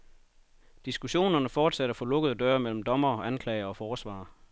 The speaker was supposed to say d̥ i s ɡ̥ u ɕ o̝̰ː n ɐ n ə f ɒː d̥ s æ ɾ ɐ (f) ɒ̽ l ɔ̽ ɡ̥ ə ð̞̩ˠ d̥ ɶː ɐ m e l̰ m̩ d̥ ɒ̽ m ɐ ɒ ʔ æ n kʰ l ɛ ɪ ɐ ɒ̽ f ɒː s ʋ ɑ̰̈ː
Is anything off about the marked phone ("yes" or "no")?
no